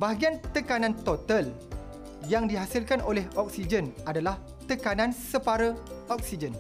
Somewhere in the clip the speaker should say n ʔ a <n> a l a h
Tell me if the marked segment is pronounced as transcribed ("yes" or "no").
no